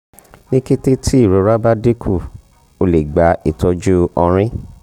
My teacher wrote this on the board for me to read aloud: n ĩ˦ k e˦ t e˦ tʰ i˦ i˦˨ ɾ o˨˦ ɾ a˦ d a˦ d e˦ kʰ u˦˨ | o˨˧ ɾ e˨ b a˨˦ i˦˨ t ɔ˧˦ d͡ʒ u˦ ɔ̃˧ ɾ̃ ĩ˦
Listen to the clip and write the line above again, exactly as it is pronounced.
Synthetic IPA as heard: n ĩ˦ k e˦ t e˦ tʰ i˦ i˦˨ ɾ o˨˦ ɾ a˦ b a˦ d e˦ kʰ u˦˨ | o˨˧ l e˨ ɡ͡b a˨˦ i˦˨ t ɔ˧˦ d͡ʒ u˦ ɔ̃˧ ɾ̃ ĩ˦